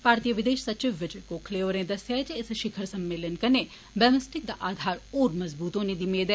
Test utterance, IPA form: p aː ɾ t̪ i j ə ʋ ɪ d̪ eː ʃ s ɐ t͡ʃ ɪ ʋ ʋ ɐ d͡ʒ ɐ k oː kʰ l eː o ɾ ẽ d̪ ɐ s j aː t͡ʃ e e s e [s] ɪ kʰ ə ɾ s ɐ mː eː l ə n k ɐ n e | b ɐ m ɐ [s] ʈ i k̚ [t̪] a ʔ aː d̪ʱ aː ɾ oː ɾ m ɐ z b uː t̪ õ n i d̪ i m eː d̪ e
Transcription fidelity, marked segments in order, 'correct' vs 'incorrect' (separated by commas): incorrect, correct, incorrect